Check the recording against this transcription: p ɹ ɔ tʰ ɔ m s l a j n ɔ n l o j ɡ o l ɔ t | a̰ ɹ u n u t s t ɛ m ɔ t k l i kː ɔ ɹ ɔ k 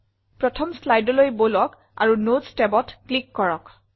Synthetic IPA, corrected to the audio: p ɹ ɔ tʰ ɔ m s l a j d ɔ l o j b o l ɔ k | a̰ ɹ u n o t s t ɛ b ɔ t k l i kː ɔ ɹ ɔ k